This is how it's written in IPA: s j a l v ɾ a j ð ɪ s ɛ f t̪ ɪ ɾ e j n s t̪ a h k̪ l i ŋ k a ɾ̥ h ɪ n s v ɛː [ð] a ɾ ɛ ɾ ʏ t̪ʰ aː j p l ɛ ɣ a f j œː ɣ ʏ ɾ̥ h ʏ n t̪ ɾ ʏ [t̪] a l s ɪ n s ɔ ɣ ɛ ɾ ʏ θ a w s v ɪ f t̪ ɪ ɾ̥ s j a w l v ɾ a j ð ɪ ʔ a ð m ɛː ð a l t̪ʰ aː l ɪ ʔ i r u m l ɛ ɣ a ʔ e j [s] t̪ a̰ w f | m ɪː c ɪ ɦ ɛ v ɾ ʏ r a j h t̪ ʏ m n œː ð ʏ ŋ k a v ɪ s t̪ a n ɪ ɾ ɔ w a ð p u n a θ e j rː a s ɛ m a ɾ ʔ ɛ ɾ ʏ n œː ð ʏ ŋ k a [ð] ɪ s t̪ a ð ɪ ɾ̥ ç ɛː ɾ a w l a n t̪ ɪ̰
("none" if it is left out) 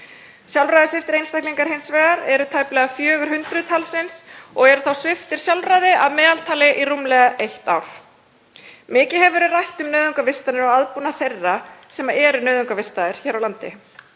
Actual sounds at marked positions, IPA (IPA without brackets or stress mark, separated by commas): ɣ, t̪ʰ, h, v